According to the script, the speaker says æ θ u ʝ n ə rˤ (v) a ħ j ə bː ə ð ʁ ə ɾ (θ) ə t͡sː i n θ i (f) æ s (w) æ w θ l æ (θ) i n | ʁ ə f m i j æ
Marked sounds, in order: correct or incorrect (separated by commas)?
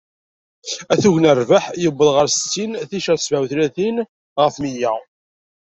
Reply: correct, incorrect, incorrect, incorrect, correct